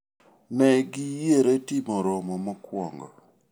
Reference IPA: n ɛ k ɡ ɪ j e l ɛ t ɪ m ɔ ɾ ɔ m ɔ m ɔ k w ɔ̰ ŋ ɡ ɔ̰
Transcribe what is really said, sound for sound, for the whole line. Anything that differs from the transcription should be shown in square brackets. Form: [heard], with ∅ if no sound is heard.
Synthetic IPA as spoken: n ɛ [∅] ɡ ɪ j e [ɾ] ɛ t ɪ m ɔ ɾ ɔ m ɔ m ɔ k w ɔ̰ ŋ ɡ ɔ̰

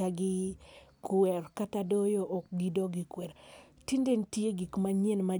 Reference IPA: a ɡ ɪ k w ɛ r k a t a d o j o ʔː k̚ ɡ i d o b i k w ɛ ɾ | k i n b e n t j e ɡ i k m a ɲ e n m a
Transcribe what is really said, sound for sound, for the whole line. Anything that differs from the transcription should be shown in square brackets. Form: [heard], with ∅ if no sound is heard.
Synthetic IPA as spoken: a ɡ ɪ k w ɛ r k a t a d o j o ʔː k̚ ɡ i d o [ɡ] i k w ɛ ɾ | [t] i n [d] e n t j e ɡ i k m a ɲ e n m a

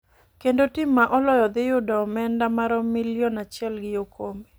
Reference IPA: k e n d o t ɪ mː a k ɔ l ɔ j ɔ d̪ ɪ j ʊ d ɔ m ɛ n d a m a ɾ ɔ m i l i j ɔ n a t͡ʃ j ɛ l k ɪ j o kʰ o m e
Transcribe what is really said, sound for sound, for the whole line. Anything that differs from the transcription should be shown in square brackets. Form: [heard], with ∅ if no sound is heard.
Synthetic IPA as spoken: k e n d o t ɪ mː a [ʔ] ɔ l ɔ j ɔ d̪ ɪ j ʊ d ɔ m ɛ n d a m a ɾ ɔ m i l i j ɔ n a t͡ʃ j ɛ l [ɡ] ɪ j o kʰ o m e

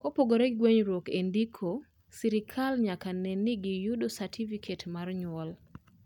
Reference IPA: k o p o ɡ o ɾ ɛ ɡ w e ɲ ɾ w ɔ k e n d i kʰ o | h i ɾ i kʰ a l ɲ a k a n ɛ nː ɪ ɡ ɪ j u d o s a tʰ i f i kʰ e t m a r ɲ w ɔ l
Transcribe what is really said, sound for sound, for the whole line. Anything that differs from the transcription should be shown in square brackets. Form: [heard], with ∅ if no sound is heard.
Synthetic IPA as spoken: k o p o ɡ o ɾ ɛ ɡ w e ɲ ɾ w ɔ k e n d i kʰ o | [s] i ɾ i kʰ a l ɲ a k a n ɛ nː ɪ ɡ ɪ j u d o s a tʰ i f i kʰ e t m a r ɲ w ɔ l

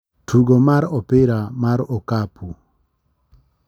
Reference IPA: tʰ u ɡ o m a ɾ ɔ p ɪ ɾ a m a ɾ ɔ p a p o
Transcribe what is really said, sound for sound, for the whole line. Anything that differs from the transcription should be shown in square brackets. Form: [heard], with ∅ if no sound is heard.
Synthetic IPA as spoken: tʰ u ɡ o m a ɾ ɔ p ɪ ɾ a m a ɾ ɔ [k] a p [u]

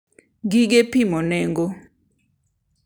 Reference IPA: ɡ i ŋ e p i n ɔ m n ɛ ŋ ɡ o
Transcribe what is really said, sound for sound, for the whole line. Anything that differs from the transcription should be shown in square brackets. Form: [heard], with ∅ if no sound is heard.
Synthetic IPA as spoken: ɡ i [ɡ] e p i [m] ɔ [∅] n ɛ ŋ ɡ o

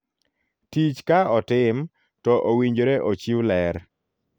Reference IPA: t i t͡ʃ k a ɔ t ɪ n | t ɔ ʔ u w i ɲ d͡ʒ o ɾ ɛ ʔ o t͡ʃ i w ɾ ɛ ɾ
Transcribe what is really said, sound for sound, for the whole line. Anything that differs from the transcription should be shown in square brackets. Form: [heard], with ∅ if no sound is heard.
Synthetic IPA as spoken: t i t͡ʃ k a ɔ t ɪ [m] | t ɔ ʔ [o] w i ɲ d͡ʒ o ɾ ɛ ʔ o t͡ʃ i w [l] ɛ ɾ

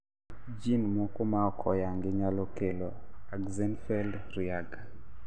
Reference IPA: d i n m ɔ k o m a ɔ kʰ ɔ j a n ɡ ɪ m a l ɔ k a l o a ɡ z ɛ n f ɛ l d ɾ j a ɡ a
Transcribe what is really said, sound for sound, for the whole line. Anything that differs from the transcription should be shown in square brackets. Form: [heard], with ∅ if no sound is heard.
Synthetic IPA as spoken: [d͡ʒ] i n m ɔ k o m a ɔ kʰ ɔ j a [ŋ] ɡ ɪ [ɲ] a l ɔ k [e] l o a ɡ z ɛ n f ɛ l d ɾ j a ɡ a

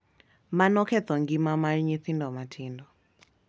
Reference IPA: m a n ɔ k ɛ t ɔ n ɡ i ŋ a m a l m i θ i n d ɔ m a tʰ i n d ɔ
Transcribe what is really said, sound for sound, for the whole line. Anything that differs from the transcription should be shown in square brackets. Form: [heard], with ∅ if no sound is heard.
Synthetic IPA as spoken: m a n ɔ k ɛ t ɔ [ŋ] ɡ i [m] a m a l [ɲ] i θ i n d ɔ m a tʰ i n d ɔ

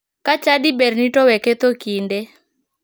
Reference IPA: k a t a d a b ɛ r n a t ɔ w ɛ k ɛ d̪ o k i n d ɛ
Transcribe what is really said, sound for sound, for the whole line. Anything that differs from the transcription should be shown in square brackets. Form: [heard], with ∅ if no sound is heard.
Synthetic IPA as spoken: k a [t͡ʃ] a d [i] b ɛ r n [i] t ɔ w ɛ k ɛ [t̪] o k i n d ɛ

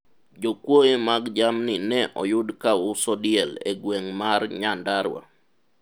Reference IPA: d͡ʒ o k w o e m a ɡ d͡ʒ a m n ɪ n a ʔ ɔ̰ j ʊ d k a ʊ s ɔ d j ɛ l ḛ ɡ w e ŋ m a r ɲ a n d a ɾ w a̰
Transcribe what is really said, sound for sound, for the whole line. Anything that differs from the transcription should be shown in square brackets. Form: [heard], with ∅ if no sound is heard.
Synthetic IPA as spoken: d͡ʒ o k w o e m a ɡ d͡ʒ a m n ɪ n [ɛ] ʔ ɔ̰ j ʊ d k a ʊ s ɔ d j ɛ l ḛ ɡ w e ŋ m a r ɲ a n d a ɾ w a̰

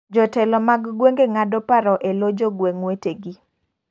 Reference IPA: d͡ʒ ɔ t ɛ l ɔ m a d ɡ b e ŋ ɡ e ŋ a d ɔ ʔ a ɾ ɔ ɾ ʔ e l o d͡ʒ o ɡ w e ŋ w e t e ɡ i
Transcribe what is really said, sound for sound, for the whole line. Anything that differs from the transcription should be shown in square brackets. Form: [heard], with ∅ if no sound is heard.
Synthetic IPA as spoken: d͡ʒ ɔ t ɛ l ɔ m a [ɡ] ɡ [w] e ŋ ɡ e ŋ a d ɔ [p] a ɾ ɔ [∅] ʔ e l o d͡ʒ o ɡ w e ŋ w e t e ɡ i

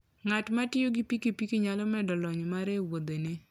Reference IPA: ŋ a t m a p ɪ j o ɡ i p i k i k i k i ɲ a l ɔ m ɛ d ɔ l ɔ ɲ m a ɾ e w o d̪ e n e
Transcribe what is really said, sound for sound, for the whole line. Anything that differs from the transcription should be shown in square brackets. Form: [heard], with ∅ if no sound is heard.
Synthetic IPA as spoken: ŋ a t m a [t] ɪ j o ɡ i p i k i [p] i k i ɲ a l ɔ m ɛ d ɔ l ɔ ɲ m a ɾ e w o d̪ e n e

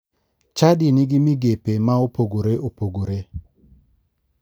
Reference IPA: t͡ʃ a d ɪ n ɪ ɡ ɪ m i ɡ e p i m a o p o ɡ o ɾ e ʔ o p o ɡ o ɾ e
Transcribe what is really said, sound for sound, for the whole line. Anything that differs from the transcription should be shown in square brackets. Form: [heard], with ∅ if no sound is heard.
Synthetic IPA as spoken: t͡ʃ a d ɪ n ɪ ɡ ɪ m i ɡ e p [e] m a o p o ɡ o ɾ e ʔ o p o ɡ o ɾ e

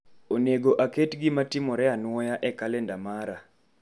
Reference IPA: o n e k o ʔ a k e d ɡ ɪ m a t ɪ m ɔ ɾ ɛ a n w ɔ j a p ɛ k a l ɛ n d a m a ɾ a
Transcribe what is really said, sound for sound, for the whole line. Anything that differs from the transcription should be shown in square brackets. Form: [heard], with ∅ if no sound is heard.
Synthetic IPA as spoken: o n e [ɡ] o ʔ a k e [t] ɡ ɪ m a t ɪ m ɔ ɾ ɛ a n w ɔ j a [ʔ] ɛ k a l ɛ n d a m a ɾ a

